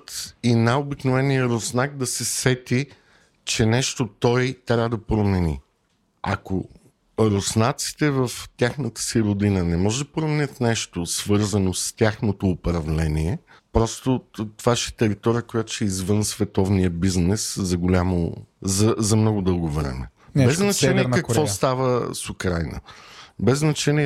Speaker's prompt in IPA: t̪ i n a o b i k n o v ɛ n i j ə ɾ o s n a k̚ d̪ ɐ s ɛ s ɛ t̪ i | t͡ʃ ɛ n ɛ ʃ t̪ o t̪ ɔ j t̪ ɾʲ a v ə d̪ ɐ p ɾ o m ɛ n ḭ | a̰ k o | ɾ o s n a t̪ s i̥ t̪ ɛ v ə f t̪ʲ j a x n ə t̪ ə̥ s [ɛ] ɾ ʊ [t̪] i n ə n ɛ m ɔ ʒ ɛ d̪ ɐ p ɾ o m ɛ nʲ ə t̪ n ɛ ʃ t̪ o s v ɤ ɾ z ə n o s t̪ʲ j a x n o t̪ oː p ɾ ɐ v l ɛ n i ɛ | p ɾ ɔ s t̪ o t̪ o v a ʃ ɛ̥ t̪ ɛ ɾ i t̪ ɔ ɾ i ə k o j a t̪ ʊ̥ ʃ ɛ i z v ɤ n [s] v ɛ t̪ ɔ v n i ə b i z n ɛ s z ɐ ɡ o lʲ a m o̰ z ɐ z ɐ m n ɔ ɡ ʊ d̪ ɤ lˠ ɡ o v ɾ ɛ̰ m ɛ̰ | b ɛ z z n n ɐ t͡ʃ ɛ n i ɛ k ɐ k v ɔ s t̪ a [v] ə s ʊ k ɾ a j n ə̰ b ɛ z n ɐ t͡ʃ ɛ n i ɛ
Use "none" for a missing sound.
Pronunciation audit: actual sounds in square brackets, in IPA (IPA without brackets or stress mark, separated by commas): i, d̪, s, v